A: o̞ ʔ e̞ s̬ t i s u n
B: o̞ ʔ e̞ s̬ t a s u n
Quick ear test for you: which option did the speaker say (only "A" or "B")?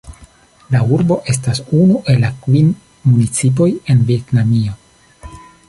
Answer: B